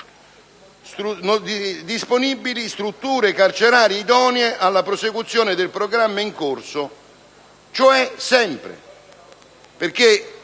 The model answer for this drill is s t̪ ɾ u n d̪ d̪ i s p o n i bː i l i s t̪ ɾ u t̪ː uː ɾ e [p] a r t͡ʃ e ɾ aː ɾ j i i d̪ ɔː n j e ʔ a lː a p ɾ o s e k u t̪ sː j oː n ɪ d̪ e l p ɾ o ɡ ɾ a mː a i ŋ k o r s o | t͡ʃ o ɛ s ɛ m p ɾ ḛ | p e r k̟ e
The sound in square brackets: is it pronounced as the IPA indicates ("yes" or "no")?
no